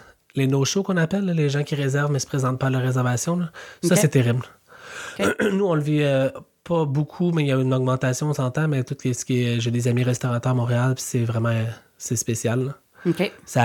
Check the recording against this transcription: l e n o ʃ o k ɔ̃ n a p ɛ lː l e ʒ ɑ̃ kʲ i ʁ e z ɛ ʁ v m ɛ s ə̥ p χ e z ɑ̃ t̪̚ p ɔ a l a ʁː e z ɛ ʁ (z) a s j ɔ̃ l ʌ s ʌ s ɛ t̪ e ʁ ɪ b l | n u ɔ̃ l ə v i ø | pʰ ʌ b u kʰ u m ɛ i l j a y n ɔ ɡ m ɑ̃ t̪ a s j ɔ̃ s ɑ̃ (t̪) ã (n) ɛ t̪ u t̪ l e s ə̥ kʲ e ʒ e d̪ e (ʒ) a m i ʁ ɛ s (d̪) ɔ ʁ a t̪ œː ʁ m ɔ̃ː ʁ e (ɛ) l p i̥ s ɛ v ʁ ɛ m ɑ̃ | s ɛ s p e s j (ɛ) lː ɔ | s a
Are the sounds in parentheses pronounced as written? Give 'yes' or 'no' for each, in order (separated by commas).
no, yes, no, no, no, no, no